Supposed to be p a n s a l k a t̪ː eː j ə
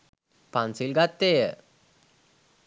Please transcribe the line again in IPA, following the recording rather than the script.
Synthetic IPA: p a n s i l ɡ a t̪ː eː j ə

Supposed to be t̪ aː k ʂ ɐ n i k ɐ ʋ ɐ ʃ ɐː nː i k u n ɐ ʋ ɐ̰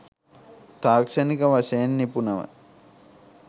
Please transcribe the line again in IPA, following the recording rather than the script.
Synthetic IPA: t̪ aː k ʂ ɐ n i k ɐ ʋ ɐ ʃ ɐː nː i p u n ɐ ʋ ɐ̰

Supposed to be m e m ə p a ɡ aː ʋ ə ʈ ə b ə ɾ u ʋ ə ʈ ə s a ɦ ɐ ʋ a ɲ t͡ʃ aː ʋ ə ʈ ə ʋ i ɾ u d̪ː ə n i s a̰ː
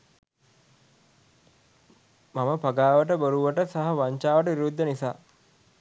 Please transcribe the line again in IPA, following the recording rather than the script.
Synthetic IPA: m a m ə p a ɡ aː ʋ ə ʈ ə b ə ɾ u ʋ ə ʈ ə s a ɦ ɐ ʋ a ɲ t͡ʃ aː ʋ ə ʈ ə ʋ i ɾ u d̪ː ə n i s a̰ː

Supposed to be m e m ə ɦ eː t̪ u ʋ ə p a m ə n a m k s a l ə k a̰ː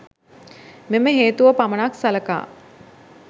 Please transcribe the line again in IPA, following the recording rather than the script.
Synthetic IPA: m e m ə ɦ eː t̪ u ʋ ə p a m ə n a k s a l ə k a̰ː

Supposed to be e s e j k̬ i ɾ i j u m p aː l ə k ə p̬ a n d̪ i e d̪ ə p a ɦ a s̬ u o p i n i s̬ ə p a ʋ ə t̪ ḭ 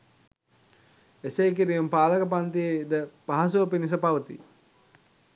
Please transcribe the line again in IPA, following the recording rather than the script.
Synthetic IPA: e s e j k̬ i ɾ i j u m p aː l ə k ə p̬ a n t̪ i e d̪ ə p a ɦ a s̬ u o p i n i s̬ ə p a ʋ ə t̪ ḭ

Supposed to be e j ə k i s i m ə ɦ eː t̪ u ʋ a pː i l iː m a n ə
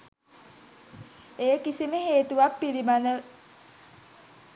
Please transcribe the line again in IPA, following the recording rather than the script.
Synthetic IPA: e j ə k i s i m ə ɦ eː t̪ u ʋ a pː i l i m a n ə

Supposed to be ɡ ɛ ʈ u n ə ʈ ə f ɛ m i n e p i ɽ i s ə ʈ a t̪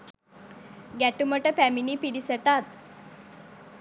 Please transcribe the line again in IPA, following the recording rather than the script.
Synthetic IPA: ɡ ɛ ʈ u m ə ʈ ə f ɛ m i n i p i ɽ i s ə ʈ a t̪

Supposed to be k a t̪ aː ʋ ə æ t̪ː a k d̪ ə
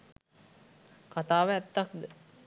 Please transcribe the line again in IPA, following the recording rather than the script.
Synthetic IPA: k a t̪ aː ʋ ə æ t̪ː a k d̪ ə

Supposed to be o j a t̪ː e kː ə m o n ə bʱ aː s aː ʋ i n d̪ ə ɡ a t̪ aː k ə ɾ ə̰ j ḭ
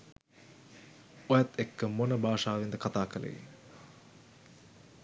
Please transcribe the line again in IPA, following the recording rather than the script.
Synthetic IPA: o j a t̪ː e kː ə m o n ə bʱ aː ʂ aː ʋ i n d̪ ə k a t̪ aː k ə l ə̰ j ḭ

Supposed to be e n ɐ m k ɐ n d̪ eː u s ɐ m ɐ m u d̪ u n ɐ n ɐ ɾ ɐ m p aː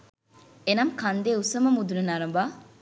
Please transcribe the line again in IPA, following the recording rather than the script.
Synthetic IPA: e n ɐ m k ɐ n d̪ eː u s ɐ m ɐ m u d̪ u n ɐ n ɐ ɾ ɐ m b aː

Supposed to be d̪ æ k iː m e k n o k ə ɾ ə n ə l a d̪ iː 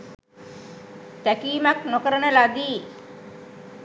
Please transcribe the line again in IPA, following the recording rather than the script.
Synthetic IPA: t̪ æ k iː m a k n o k ə ɾ ə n ə l a d̪ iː

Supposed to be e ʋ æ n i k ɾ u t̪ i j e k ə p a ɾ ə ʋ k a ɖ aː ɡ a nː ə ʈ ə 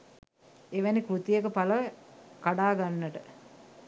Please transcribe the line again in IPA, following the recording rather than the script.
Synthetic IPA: e ʋ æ n i k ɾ u t̪ i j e k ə p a l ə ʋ k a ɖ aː ɡ a nː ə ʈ ə

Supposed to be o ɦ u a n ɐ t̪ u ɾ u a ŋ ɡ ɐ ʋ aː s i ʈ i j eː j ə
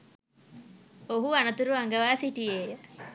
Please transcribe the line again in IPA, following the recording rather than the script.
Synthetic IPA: o ɦ u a n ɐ t̪ u ɾ u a ŋ ɡ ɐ ʋ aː s i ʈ i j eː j ə

